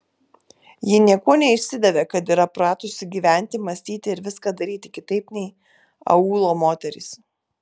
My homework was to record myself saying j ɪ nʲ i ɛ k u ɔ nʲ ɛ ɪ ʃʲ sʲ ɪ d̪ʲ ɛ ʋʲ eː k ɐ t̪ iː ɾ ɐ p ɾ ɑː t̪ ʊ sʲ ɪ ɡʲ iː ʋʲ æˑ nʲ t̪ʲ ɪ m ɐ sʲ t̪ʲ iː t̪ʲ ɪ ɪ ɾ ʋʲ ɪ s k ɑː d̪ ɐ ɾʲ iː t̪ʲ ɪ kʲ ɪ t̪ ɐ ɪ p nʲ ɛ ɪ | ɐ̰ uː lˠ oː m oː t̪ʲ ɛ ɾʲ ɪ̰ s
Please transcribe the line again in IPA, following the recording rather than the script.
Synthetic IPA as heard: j ɪ nʲ i ɛ k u ɔ nʲ ɛ ɪ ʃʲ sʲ ɪ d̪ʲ ɛ ʋʲ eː k ɐ t̪ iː ɾ ɐ p ɾ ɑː t̪ ʊ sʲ ɪ ɡʲ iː ʋʲ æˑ nʲ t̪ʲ ɪ m ɐ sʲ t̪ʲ iː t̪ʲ ɪ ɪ ɾ ʋʲ ɪ s k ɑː d̪ ɐ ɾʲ iː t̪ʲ ɪ kʲ ɪ t̪ ɐ ɪ p nʲ ɛ ɪ | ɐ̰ uː lˠ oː m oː t̪ʲ ɛ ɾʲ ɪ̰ s